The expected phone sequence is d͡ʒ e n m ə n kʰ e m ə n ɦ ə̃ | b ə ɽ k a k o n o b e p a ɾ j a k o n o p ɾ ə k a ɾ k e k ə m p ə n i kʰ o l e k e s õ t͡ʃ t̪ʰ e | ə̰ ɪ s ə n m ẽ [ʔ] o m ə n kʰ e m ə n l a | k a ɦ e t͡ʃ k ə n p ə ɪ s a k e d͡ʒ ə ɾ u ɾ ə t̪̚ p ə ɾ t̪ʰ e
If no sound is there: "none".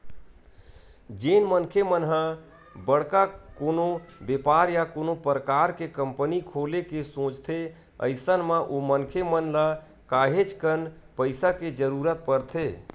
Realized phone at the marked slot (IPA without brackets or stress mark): ʔ